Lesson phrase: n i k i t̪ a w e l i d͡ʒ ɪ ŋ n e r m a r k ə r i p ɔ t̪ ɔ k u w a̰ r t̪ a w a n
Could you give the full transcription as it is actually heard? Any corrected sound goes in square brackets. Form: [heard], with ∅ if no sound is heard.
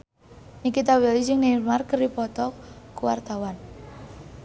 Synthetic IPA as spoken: n i k i t̪ a w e l i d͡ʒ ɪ ŋ n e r m a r k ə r i p ɔ t̪ ɔ k u w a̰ r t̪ a w a n